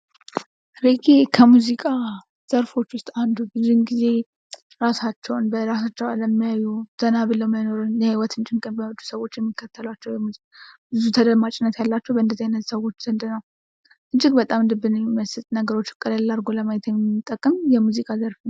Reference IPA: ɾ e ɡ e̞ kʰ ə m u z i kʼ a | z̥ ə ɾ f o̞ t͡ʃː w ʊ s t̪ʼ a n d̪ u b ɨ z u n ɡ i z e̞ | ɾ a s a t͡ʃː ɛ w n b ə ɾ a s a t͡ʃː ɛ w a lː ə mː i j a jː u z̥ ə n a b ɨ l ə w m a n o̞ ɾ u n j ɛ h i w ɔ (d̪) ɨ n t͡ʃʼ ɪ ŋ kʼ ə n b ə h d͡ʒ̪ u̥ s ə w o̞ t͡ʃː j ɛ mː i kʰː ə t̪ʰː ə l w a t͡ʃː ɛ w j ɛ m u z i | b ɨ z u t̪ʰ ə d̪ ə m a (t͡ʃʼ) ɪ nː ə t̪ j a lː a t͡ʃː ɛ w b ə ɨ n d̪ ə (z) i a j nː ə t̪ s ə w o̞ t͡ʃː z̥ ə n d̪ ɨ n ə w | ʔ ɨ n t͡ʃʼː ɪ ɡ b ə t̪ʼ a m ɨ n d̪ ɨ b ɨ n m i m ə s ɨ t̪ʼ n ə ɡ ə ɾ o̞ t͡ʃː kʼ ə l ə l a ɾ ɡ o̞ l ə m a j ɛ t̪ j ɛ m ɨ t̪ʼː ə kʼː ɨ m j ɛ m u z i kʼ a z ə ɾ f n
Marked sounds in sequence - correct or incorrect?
incorrect: t̪, correct, correct

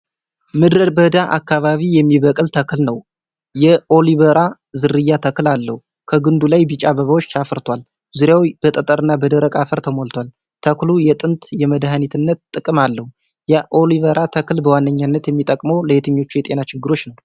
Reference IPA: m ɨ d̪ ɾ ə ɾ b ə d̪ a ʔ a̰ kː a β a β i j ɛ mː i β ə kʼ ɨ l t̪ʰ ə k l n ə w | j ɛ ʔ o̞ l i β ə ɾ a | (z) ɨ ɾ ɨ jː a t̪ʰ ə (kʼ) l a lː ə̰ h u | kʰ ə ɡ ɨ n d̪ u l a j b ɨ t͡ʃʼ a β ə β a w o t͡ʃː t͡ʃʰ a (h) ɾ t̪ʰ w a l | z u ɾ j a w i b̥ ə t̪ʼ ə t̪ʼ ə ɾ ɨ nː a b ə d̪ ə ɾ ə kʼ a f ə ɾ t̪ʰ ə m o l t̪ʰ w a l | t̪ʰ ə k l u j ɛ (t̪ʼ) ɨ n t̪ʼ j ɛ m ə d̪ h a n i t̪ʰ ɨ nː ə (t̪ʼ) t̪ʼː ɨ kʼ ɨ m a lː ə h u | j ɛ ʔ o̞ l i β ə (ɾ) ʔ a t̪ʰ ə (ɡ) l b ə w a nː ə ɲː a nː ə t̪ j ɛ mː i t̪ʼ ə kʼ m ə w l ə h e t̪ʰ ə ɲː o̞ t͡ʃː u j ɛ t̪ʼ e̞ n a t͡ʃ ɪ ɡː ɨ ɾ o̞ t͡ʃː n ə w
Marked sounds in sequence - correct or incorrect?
correct, incorrect: k, incorrect: f, correct, incorrect: t̪, correct, incorrect: k

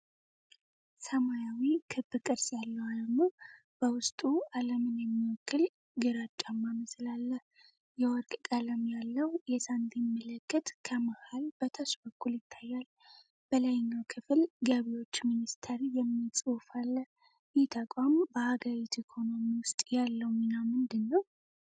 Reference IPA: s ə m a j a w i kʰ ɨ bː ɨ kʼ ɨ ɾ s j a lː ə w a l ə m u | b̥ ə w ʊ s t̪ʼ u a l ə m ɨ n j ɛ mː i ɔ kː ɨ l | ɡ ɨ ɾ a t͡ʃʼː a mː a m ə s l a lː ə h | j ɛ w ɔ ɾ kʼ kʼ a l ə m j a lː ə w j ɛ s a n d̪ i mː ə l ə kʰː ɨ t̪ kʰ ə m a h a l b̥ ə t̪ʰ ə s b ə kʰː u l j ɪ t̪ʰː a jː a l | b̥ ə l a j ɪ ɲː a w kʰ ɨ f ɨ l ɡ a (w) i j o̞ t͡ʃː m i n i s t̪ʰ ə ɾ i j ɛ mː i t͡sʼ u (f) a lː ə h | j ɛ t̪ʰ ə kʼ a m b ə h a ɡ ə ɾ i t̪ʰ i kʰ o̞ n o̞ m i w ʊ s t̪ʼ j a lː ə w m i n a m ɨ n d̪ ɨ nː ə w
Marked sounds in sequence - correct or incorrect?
incorrect: β, correct

